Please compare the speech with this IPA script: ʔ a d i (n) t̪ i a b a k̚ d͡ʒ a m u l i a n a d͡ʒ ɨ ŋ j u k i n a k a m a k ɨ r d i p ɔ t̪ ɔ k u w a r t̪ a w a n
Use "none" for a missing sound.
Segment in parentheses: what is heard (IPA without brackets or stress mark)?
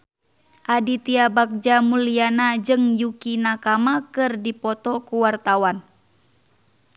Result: none